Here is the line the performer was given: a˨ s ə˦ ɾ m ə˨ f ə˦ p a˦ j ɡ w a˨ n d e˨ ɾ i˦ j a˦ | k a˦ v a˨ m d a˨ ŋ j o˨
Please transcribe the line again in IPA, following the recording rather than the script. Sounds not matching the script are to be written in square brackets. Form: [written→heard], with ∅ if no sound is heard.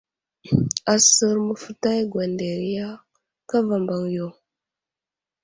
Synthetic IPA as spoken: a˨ s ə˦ ɾ m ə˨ f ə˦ [p→t] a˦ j ɡ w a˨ n d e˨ ɾ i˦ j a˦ | k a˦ v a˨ m [d→b] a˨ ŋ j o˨